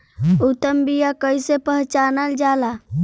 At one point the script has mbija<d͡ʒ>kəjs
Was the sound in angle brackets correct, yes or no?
no